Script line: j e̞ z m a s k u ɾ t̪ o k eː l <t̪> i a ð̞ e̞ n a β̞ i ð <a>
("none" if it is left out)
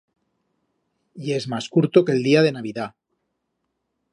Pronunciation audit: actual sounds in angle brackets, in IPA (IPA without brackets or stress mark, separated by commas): d̪, a